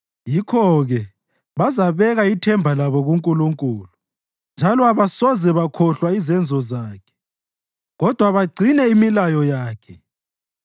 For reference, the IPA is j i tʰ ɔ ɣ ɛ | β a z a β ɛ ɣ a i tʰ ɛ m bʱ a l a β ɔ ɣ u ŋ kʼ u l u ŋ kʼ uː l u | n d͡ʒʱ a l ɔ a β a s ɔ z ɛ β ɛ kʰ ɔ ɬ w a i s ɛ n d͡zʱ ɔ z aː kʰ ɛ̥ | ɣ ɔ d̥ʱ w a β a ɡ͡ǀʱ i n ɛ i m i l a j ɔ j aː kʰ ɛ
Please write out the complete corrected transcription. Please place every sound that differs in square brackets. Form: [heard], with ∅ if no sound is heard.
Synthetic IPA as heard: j i [kʰ] ɔ ɣ ɛ | β a z a β ɛ ɣ a i tʰ ɛ m bʱ a l a β ɔ ɣ u ŋ kʼ u l u ŋ kʼ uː l u | n d͡ʒʱ a l ɔ a β a s ɔ z ɛ β [a] kʰ ɔ ɬ w a i [z] ɛ n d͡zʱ ɔ z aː kʰ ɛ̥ | ɣ ɔ d̥ʱ w a β a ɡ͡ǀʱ i n ɛ i m i l a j ɔ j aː kʰ ɛ